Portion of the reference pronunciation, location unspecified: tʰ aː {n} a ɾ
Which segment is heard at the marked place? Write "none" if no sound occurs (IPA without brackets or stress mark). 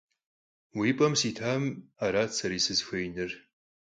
m